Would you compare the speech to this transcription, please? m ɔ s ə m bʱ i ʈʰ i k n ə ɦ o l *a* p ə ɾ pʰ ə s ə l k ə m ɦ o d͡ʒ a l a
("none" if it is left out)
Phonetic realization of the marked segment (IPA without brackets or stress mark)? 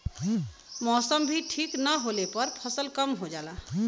e